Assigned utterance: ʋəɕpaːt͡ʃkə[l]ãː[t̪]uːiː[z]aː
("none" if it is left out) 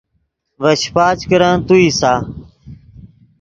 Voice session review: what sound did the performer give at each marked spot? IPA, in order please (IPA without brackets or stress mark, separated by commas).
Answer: ɾ, t̪, s